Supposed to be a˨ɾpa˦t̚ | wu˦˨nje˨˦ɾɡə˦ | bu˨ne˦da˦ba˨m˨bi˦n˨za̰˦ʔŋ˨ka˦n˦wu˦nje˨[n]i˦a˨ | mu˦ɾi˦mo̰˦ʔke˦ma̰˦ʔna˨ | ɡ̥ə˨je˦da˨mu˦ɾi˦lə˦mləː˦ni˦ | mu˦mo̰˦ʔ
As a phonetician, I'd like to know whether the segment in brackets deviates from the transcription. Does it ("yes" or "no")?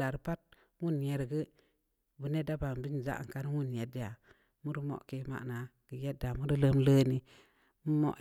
yes